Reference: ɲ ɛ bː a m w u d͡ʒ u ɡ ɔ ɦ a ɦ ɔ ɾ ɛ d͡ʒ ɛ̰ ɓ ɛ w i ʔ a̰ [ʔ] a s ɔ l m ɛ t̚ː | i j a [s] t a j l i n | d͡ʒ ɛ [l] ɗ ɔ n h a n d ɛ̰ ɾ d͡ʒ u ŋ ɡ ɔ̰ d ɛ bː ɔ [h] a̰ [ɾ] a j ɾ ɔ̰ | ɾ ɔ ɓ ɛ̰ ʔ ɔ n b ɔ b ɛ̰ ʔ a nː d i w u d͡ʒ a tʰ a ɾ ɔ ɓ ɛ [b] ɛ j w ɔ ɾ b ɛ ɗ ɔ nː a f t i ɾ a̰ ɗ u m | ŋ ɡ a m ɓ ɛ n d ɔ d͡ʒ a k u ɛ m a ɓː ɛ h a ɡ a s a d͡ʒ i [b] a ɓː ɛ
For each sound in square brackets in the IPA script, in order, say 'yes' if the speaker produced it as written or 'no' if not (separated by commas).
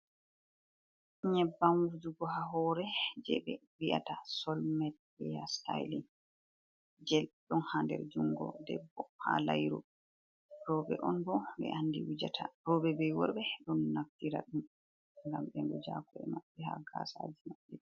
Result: no, yes, yes, yes, no, yes, no